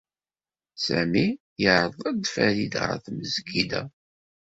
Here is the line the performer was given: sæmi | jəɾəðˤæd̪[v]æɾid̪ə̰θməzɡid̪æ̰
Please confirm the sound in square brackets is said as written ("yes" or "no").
no